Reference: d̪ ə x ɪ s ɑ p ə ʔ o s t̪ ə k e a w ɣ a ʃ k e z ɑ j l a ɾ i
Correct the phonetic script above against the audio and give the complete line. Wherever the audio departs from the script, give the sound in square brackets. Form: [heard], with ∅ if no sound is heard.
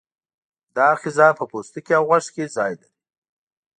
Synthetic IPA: d̪ [ɑ] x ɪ [z] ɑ p ə [p] o s t̪ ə k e a w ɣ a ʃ k e z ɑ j l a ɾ i